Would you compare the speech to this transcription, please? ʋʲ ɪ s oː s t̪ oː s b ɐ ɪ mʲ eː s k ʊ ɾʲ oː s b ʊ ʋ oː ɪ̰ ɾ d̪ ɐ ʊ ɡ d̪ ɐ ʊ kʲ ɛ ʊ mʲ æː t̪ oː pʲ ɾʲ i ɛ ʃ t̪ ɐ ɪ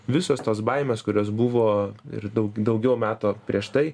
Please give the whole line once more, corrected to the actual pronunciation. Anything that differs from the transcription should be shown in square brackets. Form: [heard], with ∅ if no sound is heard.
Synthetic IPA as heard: ʋʲ ɪ s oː s t̪ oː s b ɐ ɪ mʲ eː s k ʊ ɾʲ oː s b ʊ ʋ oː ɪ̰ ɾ d̪ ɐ ʊ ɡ d̪ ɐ ʊ [ɡʲ] ɛ ʊ mʲ æː t̪ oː pʲ ɾʲ i ɛ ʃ t̪ ɐ ɪ